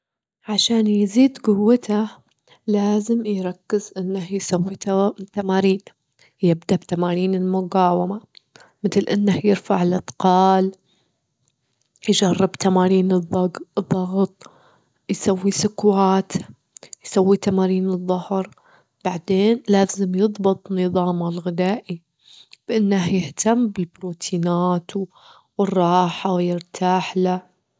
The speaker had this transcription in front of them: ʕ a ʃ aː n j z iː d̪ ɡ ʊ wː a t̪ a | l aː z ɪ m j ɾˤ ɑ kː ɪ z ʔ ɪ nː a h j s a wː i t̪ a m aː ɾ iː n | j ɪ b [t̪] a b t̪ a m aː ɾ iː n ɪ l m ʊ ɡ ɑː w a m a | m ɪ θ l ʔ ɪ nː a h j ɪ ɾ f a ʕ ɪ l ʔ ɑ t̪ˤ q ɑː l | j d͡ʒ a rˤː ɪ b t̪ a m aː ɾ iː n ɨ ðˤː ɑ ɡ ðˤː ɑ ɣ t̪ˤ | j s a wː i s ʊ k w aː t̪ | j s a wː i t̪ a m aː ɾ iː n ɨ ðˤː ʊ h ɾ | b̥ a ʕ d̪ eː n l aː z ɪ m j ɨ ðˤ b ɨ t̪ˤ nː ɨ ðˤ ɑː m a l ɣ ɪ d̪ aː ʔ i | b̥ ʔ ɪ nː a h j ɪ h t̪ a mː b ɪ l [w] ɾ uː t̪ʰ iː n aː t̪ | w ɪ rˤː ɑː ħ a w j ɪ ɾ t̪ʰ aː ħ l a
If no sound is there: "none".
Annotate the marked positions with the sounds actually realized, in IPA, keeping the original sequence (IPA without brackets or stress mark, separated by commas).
d̪, b